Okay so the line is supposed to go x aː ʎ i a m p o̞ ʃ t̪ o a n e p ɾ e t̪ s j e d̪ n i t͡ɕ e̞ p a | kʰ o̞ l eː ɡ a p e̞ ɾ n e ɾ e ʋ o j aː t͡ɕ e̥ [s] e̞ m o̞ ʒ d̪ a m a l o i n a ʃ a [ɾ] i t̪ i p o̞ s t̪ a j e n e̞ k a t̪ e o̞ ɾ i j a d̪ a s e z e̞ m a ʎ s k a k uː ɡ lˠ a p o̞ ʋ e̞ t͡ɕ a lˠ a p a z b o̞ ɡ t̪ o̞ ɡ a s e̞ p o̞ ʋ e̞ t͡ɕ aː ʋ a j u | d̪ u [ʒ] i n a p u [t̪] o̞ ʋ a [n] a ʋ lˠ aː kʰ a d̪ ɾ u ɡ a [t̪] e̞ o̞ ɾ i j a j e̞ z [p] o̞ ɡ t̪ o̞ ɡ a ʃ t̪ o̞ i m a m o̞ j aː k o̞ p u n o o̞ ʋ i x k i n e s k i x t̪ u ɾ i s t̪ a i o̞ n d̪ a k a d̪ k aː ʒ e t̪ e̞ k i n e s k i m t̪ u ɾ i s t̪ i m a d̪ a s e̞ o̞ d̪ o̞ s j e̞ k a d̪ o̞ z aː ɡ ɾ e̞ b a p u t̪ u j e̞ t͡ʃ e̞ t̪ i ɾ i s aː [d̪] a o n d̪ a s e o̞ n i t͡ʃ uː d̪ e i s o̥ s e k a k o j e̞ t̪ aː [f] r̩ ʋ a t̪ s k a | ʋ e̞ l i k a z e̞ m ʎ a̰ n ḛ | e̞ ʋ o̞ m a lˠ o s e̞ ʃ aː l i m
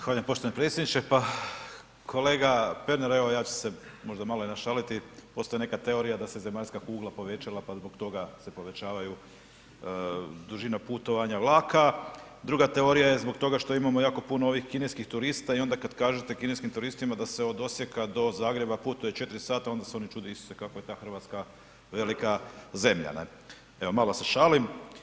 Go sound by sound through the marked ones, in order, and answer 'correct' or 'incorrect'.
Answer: correct, incorrect: l, correct, correct, incorrect: ɲ, correct, incorrect: b, incorrect: t̪, incorrect: x

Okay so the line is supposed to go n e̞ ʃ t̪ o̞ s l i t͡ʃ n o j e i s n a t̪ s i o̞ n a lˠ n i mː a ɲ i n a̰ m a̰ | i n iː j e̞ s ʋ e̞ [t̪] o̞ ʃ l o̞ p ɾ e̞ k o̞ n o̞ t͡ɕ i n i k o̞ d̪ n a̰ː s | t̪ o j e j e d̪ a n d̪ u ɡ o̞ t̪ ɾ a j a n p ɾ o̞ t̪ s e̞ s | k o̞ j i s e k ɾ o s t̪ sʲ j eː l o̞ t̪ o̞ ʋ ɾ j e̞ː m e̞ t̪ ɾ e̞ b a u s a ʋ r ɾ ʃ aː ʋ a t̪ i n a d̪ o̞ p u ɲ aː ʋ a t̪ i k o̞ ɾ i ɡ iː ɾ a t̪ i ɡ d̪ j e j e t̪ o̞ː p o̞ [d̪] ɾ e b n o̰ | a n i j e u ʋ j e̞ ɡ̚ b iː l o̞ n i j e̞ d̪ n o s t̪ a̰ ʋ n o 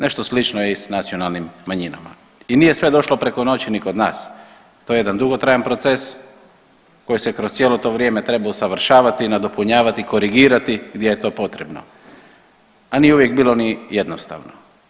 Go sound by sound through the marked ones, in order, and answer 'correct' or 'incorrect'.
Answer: incorrect: d̪, incorrect: t̪

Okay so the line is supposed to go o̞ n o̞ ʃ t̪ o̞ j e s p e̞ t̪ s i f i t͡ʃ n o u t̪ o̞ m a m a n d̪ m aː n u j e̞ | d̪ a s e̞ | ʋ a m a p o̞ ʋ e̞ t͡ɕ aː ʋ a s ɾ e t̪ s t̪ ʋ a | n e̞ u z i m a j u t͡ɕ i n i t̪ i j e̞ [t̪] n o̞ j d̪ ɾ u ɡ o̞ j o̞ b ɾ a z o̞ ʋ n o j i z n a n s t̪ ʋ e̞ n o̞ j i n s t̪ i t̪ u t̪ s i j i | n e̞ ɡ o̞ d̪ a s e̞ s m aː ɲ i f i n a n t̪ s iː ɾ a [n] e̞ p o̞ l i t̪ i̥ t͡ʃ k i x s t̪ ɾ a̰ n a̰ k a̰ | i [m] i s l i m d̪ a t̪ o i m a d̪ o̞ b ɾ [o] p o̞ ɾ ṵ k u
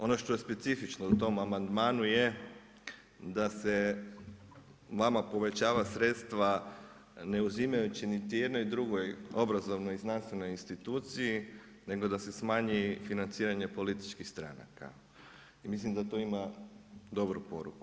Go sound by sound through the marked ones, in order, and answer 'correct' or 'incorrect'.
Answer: incorrect: d̪, incorrect: ɲ, correct, incorrect: u

